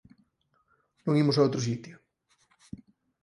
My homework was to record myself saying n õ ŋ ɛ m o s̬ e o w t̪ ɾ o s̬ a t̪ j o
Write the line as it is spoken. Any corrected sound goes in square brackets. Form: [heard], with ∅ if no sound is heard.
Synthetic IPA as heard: n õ ŋ [i] m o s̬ [a] o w t̪ ɾ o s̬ [i] t̪ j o

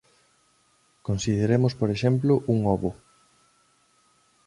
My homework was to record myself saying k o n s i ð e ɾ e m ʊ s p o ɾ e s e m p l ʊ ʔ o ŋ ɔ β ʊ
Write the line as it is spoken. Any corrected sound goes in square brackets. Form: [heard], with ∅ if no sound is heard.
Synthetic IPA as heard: k o n s i ð e ɾ e m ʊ s p o ɾ e [ʃ] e m p l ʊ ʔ [u] ŋ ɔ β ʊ

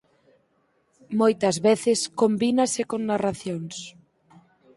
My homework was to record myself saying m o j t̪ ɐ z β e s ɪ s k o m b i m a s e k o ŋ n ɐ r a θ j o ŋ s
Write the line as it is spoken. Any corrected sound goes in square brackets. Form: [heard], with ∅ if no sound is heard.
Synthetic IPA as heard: m o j t̪ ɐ z β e [θ] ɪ s k o m b i [n] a s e k o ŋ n [a] r a θ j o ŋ s

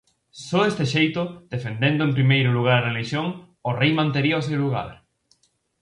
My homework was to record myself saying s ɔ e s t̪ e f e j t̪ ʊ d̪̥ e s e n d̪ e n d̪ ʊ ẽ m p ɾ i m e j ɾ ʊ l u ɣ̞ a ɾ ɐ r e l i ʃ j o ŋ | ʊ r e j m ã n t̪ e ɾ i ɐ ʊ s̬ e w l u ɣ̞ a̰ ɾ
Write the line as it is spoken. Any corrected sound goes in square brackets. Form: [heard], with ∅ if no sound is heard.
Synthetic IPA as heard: s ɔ e s t̪ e [ʃ] e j t̪ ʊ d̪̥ e [f] e n d̪ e n d̪ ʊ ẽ m p ɾ i m e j ɾ ʊ l u ɣ̞ a ɾ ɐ r e l i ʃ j o ŋ | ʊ r e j m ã n t̪ e ɾ i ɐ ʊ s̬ e w l u ɣ̞ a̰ ɾ

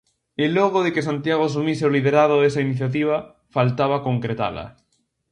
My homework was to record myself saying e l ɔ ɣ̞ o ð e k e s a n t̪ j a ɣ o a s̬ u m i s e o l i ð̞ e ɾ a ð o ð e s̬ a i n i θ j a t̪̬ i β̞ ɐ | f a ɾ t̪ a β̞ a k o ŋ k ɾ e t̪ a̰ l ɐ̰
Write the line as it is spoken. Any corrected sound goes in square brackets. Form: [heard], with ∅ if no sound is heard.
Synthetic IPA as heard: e l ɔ ɣ̞ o ð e k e s a n t̪ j a ɣ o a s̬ u m i s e o l i ð̞ e ɾ a ð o ð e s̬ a i n i θ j a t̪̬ i β̞ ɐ | f a [l] t̪ a β̞ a k o ŋ k ɾ e t̪ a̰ l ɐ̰

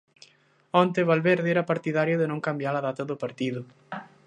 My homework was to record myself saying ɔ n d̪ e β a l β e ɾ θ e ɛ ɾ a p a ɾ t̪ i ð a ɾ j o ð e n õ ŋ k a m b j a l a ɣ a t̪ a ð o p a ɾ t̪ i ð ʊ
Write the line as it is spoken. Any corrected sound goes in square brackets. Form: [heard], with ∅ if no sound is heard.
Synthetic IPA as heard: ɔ n [t̪] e β a l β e ɾ [ð] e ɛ ɾ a p a ɾ t̪ i ð a ɾ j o ð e n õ ŋ k a m b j a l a [ð] a t̪ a ð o p a ɾ t̪ i ð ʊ

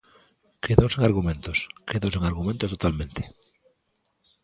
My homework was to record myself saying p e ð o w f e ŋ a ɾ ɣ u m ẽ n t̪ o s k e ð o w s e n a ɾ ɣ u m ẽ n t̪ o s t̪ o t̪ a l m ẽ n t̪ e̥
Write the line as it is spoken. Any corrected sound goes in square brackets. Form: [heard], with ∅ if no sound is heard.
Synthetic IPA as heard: [k] e ð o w [s] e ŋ a ɾ ɣ u m ẽ n t̪ o s k e ð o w s e [ŋ] a ɾ ɣ u m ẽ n t̪ o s t̪ o t̪ a l m ẽ n t̪ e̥

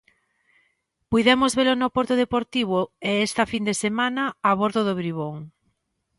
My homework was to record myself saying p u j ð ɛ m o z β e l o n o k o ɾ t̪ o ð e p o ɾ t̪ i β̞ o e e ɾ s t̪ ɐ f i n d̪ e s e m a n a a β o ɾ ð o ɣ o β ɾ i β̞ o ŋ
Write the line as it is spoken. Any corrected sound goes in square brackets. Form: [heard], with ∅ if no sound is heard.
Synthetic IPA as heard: p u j ð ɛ m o z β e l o n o [p] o ɾ t̪ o ð e p o ɾ t̪ i β̞ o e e [∅] s t̪ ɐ f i n d̪ e s e m a n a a β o ɾ ð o [ð] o β ɾ i β̞ o ŋ

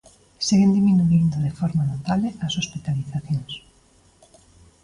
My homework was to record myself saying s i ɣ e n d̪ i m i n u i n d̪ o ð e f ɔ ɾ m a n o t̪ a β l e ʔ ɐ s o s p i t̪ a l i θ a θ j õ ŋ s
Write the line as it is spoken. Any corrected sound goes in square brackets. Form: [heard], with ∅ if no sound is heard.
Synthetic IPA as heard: s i ɣ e n d̪ i m i n u i n d̪ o ð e f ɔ ɾ m a n o t̪ a β l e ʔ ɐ s o s p i t̪ a l i θ a θ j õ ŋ s

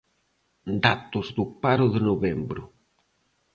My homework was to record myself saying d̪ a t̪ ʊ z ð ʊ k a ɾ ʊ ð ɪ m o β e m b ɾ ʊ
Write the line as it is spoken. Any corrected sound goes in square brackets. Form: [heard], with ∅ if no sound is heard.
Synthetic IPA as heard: d̪ a t̪ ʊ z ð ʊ [p] a ɾ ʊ ð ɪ [n] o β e m b ɾ ʊ

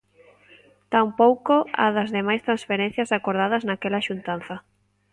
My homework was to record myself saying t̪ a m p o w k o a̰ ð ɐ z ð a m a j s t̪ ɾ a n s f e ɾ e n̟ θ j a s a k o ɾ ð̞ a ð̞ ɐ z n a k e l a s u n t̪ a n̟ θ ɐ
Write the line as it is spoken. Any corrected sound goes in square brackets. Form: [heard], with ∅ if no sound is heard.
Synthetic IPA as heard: t̪ a m p o w k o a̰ ð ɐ z ð [e] m a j s t̪ ɾ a n s f e ɾ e n̟ θ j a s a k o ɾ ð̞ a ð̞ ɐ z n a k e l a [ʃ] u n t̪ a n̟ θ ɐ

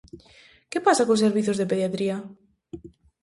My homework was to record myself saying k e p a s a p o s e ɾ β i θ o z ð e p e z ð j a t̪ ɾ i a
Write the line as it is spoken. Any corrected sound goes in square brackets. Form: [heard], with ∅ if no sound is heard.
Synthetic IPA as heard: k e p a s a [k] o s e ɾ β i θ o z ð e p e [∅] ð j a t̪ ɾ i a

